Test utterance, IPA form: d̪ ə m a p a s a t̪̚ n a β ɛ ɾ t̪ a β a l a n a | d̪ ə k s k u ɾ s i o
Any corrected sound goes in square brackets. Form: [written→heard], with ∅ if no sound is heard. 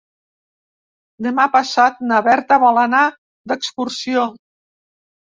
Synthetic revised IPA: d̪ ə m a p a s a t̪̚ n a β ɛ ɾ t̪ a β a l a n a | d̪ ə k s k u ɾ s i o